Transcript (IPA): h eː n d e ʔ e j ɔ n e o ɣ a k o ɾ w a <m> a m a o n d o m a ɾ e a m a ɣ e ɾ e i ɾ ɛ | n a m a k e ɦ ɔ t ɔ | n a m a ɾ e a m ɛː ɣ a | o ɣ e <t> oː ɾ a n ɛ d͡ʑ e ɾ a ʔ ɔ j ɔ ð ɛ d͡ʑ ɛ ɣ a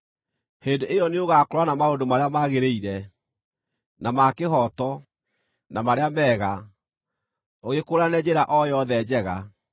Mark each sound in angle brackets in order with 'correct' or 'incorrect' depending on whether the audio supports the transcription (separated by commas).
incorrect, incorrect